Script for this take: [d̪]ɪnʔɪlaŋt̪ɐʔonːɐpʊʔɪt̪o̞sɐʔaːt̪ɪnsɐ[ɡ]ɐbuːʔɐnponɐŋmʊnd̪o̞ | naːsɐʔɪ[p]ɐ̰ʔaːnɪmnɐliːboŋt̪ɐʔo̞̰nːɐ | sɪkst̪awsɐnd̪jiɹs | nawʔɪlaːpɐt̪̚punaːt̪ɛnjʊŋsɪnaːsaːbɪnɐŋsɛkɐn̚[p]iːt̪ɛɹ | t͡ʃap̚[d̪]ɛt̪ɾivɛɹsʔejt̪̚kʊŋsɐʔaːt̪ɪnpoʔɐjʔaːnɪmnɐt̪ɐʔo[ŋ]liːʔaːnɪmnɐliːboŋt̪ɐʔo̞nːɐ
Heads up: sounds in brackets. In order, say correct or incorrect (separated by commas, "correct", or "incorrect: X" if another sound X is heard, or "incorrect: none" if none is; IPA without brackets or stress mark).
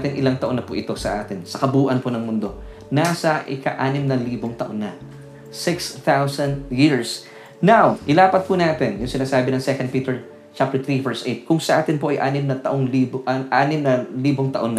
incorrect: t̪, incorrect: k, incorrect: k, correct, incorrect: t̪, correct